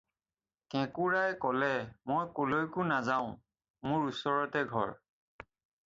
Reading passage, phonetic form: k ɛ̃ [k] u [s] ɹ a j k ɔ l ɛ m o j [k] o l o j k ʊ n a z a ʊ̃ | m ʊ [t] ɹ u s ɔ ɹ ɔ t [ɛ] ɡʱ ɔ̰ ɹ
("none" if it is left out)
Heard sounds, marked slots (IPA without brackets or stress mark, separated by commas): k, none, k, none, ɛ